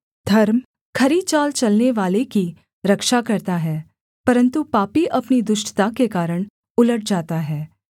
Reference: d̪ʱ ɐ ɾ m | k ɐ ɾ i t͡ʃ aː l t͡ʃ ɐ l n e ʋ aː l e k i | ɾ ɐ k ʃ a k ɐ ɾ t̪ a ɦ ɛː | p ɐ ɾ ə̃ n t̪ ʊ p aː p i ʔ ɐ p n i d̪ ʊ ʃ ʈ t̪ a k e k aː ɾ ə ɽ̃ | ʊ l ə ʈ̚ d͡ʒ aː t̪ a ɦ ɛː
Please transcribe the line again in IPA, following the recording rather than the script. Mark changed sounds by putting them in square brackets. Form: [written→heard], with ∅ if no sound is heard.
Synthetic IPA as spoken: d̪ʱ ɐ ɾ m | [k→kʰ] ɐ ɾ i t͡ʃ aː l t͡ʃ ɐ l n e ʋ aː l e k i | ɾ ɐ k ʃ a k ɐ ɾ t̪ a ɦ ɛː | p ɐ ɾ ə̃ n t̪ [ʊ→u] p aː p i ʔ ɐ p n i d̪ ʊ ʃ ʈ t̪ a k e k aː ɾ ə ɽ̃ | ʊ l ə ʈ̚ d͡ʒ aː t̪ a ɦ ɛː